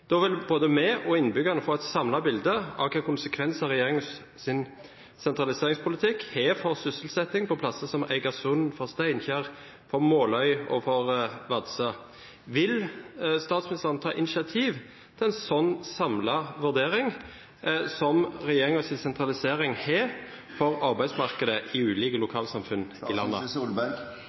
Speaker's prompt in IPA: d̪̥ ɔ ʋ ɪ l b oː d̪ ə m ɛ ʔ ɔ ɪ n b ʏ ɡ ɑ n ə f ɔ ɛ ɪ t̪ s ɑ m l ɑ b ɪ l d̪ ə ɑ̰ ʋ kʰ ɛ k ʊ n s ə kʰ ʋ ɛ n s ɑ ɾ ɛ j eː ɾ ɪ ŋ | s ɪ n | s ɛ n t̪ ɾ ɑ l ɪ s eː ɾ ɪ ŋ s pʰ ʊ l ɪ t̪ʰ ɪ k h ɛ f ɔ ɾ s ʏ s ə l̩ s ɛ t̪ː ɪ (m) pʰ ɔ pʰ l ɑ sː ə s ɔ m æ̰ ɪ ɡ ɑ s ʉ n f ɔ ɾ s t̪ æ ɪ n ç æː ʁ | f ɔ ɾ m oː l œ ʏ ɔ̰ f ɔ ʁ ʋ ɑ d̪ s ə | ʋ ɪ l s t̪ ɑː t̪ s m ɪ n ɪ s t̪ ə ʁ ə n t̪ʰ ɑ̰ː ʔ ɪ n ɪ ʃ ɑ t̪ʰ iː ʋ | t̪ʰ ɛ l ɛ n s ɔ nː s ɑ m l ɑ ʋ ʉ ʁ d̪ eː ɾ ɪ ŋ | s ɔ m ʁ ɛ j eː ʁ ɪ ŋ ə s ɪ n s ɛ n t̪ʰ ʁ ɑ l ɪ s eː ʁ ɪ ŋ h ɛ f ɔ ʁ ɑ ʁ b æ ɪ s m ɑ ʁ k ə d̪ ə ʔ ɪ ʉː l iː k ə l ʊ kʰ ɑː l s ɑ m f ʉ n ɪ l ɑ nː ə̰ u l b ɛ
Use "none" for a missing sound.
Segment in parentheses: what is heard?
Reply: ŋ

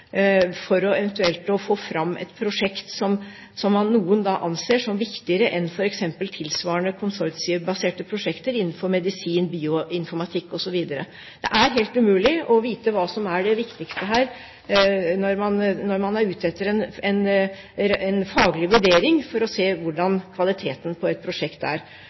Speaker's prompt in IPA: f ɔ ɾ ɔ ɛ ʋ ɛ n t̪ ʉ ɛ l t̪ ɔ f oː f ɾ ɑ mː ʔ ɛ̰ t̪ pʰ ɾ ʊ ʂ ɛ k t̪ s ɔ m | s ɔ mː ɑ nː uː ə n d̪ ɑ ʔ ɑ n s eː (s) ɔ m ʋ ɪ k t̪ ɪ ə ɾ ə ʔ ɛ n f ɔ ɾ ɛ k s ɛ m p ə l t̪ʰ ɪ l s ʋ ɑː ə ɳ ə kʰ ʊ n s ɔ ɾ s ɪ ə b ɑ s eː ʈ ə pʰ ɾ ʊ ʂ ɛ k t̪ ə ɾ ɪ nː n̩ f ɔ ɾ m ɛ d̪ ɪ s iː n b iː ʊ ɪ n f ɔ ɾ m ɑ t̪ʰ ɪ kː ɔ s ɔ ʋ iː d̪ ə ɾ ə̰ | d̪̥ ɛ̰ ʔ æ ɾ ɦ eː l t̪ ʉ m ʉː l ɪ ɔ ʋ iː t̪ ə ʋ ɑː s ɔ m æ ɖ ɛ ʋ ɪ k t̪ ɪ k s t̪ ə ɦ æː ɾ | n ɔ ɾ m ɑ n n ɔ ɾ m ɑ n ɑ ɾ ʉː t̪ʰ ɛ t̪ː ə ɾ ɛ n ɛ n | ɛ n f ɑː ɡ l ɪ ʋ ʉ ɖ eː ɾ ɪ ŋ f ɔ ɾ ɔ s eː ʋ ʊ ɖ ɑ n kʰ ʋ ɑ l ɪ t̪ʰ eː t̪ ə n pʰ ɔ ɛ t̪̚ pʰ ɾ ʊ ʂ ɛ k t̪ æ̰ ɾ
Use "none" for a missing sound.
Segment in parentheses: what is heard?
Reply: ʂ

